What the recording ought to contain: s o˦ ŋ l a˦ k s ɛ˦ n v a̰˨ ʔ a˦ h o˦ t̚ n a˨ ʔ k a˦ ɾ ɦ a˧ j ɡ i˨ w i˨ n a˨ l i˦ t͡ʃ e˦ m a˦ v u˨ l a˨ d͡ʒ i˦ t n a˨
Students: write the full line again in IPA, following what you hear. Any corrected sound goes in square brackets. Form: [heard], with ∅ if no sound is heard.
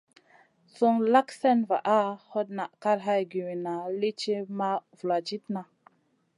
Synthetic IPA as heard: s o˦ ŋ l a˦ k s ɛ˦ n v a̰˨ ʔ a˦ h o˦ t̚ n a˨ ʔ k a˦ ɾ ɦ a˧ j ɡ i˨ w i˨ n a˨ l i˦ t͡ʃ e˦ m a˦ v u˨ l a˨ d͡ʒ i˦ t n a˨